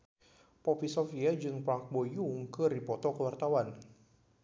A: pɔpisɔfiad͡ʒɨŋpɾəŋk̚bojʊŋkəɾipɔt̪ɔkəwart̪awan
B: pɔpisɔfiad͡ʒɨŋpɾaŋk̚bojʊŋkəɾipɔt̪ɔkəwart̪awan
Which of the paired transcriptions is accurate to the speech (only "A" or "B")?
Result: B